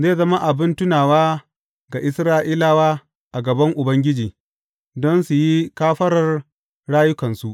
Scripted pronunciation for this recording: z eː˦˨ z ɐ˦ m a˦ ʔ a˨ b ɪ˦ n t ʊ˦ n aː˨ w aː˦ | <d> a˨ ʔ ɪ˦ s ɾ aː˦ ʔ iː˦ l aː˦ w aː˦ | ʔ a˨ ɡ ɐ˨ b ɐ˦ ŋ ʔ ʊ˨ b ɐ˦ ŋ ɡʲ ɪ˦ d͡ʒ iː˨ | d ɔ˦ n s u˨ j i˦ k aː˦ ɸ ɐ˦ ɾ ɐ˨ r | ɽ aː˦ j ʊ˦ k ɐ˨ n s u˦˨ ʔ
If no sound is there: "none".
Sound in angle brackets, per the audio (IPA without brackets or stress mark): ɡ